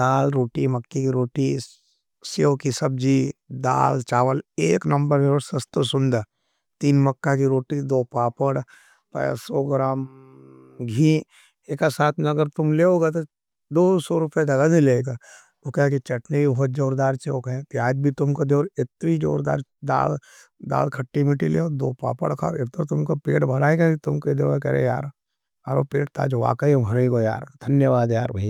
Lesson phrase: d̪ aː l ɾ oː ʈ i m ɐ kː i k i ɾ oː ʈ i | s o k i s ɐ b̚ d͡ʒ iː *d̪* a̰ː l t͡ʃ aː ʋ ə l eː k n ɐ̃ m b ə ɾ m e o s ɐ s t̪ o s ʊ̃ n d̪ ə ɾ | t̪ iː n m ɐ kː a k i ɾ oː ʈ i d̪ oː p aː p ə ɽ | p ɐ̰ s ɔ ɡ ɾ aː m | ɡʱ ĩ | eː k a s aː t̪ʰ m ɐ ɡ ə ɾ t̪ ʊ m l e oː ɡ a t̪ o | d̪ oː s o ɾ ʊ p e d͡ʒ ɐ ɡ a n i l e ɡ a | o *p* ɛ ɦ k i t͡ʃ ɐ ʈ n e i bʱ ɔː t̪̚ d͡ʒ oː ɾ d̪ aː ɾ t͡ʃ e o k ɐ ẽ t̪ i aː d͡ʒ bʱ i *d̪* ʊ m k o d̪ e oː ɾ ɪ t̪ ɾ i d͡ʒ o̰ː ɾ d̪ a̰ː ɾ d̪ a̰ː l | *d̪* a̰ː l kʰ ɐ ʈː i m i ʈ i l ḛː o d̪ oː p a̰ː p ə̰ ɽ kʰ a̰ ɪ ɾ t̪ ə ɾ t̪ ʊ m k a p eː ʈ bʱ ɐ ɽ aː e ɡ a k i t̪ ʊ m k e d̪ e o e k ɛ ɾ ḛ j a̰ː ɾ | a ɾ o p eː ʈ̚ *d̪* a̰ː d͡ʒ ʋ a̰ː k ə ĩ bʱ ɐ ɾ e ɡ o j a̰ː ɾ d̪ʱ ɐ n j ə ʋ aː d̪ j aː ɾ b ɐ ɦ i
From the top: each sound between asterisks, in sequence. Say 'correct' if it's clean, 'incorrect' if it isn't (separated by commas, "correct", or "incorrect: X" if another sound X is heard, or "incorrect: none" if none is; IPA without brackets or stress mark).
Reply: correct, incorrect: k, incorrect: t̪, correct, incorrect: t̪